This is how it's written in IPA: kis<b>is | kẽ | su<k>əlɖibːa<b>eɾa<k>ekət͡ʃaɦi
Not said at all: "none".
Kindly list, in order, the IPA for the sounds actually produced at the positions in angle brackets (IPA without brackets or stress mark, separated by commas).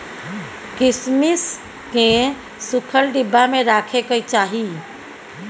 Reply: m, kʰ, m, kʰ